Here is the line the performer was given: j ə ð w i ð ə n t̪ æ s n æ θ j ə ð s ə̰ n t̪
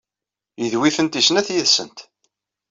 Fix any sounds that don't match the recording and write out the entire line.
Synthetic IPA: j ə ð w i θ ə n t̪ i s n æ θ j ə ð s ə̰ n t̪